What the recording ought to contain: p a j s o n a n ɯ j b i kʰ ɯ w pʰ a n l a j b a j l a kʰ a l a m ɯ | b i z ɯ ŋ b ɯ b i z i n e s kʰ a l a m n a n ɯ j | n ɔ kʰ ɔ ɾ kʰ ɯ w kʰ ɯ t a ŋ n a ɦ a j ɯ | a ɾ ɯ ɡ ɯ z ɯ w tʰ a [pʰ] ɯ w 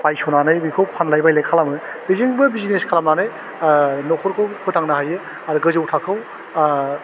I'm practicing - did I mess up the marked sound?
yes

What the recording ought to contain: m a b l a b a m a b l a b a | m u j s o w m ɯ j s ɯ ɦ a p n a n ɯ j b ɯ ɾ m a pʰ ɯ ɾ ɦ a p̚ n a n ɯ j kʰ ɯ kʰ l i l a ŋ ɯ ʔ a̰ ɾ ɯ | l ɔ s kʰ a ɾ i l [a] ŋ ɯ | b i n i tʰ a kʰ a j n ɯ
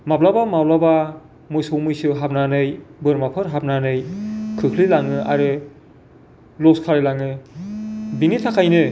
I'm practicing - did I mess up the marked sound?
no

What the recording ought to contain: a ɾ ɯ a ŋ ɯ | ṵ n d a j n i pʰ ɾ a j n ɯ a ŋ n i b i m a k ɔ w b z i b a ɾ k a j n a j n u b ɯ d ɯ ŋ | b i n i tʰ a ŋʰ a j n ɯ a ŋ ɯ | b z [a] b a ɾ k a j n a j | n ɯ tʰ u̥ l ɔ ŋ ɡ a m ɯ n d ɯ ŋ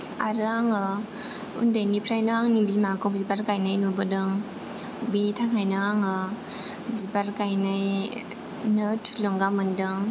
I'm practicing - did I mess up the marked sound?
yes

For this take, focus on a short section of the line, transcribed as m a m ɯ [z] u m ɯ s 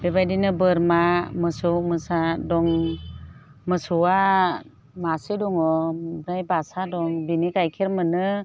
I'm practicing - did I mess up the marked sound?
yes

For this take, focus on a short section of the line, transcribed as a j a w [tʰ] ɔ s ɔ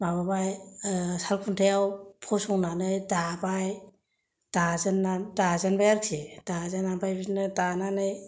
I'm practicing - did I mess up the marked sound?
yes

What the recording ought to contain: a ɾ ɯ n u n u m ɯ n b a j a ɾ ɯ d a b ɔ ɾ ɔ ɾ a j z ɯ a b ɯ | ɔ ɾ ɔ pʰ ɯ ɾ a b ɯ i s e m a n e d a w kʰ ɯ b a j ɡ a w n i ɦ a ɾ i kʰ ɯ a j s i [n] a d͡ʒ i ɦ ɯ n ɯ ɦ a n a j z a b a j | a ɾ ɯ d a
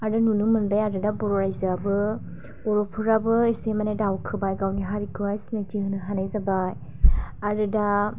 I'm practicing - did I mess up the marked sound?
no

